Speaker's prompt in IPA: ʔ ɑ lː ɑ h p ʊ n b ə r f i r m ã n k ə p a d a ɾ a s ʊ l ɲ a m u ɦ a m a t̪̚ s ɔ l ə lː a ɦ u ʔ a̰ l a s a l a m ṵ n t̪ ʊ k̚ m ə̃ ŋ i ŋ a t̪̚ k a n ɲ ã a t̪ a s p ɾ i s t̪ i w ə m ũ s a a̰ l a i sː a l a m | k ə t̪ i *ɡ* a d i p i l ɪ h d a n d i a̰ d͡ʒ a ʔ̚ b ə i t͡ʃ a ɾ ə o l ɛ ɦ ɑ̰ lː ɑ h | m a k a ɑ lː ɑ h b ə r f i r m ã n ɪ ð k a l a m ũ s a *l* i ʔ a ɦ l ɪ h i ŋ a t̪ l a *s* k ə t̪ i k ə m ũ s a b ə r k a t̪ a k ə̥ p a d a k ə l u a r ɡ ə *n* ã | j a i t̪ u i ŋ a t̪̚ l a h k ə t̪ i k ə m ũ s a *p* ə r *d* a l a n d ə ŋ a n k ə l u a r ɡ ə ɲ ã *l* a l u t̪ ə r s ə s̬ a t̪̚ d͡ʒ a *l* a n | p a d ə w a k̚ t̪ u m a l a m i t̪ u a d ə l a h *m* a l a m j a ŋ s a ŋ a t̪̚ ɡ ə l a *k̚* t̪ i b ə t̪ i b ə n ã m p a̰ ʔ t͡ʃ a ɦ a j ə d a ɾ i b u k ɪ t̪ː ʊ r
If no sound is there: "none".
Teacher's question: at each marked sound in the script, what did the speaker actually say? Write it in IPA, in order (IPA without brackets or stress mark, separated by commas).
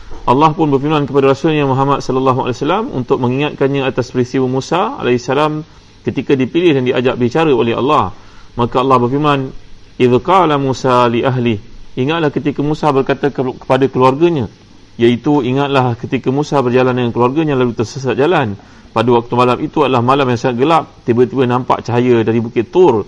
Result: k, l, h, ɲ, b, d͡ʒ, l, l, m, p̚